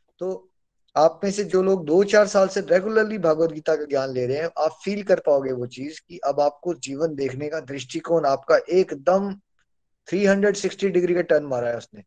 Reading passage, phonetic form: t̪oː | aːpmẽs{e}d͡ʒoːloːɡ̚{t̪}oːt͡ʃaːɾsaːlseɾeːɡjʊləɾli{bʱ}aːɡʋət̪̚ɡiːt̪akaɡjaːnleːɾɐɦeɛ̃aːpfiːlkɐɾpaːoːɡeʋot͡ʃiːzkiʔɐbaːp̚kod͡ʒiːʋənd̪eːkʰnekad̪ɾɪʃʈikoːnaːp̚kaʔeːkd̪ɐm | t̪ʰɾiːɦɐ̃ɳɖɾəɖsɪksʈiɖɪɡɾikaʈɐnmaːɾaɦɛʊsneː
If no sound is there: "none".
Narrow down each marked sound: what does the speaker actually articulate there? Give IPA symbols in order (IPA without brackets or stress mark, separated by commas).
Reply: e, d̪, bʱ